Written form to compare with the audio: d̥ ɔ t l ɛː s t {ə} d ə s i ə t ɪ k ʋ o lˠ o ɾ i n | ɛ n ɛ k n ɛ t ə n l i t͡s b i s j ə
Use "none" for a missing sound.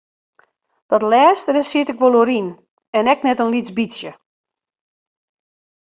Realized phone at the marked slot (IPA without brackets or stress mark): ə